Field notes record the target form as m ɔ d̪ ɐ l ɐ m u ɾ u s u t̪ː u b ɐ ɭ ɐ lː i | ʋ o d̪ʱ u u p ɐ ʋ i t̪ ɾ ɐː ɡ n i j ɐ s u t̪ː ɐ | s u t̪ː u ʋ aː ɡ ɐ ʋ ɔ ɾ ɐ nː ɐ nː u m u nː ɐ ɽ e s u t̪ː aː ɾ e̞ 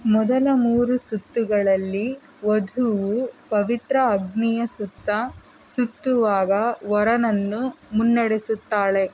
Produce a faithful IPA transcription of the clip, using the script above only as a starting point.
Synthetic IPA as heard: m ɔ d̪ ɐ l ɐ m uː ɾ u s u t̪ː u ɡ ɐ ɭ ɐ lː i | ʋ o d̪ʱ u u p ɐ ʋ i t̪ ɾ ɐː ɡ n i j ɐ s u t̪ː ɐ | s u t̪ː u ʋ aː ɡ ɐ ʋ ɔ ɾ ɐ n ɐ nː u m u nː ɐ ɽ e s u t̪ː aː ɭ e̞